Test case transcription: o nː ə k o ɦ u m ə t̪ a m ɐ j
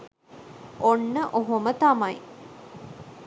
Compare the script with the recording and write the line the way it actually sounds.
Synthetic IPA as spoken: o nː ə ʔ o ɦ o m ə t̪ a m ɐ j